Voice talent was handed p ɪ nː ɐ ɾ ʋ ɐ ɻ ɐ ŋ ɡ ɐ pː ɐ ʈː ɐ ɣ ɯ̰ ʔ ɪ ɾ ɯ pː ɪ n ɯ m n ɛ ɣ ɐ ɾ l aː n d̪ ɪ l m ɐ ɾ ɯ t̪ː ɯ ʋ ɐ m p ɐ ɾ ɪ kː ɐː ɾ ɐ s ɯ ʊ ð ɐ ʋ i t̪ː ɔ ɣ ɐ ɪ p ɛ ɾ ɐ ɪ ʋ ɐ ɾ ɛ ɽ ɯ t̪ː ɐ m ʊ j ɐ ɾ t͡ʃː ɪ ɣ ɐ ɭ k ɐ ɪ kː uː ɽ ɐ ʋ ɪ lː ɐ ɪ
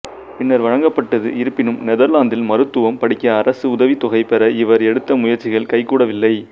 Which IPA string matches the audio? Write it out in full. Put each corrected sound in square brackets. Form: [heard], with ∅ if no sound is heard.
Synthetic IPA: p ɪ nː ɐ ɾ ʋ ɐ ɻ ɐ ŋ ɡ ɐ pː ɐ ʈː ɐ [ð] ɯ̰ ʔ ɪ ɾ ɯ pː ɪ n ɯ m n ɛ [ð] ɐ ɾ l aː n d̪ ɪ l m ɐ ɾ ɯ t̪ː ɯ ʋ ɐ m p ɐ [ɽ] ɪ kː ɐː ɾ ɐ s ɯ ʊ ð ɐ ʋ i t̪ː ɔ ɣ ɐ ɪ p ɛ ɾ ɐ ɪ ʋ ɐ ɾ ɛ ɽ ɯ t̪ː ɐ m ʊ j ɐ ɾ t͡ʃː ɪ ɣ ɐ ɭ k ɐ ɪ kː uː ɽ ɐ ʋ ɪ lː ɐ ɪ